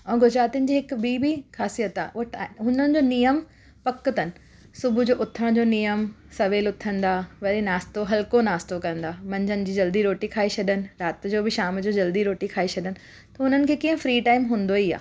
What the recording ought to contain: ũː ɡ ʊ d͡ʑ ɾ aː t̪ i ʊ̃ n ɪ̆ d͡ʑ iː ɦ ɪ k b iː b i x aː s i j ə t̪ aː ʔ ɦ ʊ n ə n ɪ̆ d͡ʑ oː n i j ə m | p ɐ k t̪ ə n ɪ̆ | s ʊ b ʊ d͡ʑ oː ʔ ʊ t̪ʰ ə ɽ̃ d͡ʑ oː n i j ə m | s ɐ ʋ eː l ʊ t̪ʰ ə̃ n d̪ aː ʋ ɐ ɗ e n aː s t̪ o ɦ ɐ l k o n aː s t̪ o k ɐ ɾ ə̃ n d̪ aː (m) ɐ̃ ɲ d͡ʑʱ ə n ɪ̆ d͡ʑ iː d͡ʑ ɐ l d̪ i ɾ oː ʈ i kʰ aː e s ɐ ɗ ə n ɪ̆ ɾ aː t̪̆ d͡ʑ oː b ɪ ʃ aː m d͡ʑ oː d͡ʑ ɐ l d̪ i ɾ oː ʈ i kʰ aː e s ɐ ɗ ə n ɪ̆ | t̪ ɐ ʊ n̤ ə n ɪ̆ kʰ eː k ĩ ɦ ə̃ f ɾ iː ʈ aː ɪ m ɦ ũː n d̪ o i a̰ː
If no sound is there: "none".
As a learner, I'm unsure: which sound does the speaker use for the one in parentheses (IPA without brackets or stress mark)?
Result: m